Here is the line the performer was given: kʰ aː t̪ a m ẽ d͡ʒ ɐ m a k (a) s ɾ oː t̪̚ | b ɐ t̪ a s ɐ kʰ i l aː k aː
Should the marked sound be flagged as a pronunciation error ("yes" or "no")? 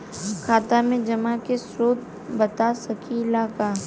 yes